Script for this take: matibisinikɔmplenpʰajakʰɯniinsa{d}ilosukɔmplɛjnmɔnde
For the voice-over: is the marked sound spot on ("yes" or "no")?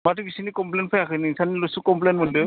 no